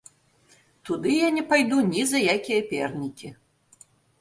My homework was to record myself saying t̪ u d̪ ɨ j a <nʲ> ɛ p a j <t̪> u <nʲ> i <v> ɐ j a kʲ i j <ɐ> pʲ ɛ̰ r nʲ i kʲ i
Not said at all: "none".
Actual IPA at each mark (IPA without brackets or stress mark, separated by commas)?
nʲ, d̪, nʲ, z, ɐ